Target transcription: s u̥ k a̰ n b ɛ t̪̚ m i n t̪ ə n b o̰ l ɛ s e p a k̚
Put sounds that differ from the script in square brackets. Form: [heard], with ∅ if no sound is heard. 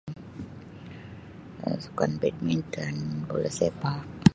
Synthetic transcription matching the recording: s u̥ k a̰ n b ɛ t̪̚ m i n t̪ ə n b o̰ l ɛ s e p a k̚